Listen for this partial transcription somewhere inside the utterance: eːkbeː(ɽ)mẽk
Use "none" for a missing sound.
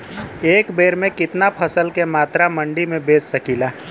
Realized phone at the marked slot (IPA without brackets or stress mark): ɾ